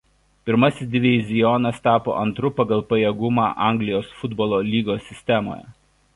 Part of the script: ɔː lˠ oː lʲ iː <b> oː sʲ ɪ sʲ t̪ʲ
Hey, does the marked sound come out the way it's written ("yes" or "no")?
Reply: no